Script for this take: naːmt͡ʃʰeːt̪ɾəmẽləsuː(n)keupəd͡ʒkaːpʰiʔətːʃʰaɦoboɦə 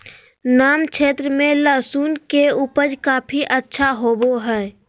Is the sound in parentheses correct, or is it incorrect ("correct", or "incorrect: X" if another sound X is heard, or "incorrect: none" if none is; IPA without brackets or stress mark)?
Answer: correct